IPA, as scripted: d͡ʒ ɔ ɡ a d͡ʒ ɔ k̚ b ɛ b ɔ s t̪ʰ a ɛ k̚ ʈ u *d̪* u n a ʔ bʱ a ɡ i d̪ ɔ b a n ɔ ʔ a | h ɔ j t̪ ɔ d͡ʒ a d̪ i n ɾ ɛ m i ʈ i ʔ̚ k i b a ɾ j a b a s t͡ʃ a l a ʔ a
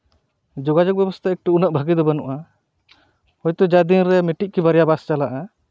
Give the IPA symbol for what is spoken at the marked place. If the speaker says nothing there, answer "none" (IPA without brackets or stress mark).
none